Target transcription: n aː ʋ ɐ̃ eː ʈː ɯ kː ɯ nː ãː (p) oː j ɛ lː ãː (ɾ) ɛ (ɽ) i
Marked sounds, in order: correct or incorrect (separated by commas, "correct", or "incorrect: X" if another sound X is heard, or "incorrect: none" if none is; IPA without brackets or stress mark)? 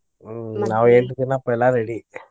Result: correct, correct, correct